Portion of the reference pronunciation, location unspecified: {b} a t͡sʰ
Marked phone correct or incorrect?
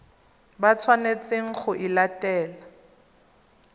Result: correct